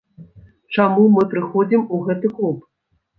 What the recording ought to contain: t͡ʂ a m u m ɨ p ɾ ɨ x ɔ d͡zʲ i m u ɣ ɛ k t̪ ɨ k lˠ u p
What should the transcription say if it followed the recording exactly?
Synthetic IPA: t͡ʂ a m u m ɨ p ɾ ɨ x ɔ d͡zʲ i m u ɣ ɛ t̪ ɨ k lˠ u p